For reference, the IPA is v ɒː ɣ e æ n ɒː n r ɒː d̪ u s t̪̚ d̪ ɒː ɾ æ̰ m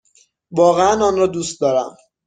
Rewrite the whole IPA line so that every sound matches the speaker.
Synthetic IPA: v ɒː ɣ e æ n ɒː n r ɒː d̪ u s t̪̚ d̪ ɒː ɾ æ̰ m